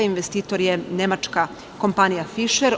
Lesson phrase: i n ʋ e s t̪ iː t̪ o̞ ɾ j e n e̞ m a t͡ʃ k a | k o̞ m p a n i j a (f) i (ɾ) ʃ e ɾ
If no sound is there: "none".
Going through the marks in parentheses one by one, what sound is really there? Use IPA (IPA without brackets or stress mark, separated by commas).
f, none